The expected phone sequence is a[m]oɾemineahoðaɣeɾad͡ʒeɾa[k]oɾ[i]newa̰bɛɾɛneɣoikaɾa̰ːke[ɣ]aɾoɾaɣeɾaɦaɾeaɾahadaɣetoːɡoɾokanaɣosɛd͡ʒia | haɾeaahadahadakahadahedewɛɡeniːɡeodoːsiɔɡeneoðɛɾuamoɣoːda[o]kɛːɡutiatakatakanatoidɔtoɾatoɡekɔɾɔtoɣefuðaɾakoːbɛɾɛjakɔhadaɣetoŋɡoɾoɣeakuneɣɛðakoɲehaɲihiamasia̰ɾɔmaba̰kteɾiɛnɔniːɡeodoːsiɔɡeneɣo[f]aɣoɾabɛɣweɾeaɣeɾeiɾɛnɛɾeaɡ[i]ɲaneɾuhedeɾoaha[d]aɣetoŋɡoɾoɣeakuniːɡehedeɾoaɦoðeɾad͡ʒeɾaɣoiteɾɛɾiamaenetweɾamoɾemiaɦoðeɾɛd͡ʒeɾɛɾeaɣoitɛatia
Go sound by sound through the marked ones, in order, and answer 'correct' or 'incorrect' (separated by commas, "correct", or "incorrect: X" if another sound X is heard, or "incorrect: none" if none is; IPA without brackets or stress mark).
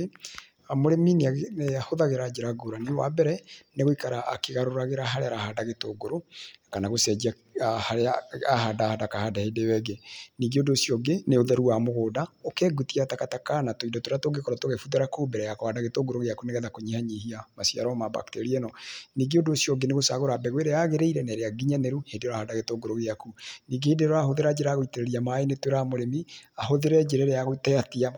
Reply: correct, incorrect: ɡ, incorrect: a, correct, correct, incorrect: s, correct, correct